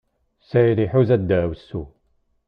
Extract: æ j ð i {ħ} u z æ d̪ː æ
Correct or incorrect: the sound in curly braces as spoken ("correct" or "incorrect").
correct